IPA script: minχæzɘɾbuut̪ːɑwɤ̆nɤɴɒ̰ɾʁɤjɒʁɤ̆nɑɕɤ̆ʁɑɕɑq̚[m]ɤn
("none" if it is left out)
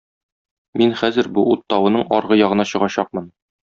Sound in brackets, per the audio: m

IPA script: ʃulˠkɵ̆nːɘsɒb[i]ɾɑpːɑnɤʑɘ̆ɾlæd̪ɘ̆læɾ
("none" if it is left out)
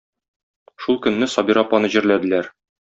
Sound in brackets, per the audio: i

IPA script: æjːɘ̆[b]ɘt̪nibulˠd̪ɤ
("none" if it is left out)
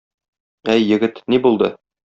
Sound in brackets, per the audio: ɡ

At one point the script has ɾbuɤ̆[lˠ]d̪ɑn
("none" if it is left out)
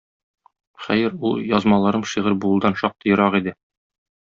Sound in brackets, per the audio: lˠ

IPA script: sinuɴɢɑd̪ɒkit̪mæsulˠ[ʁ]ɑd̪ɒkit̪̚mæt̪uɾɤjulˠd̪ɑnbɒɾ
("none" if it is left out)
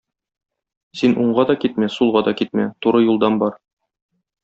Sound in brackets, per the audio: ʁ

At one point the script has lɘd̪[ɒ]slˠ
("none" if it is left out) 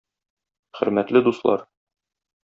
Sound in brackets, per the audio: u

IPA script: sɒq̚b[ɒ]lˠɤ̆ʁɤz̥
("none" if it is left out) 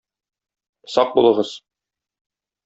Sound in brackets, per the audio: u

